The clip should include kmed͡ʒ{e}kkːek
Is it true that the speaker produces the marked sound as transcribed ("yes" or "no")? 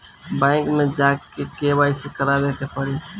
no